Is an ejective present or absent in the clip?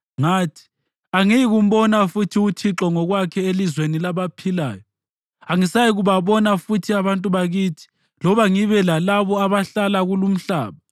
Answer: present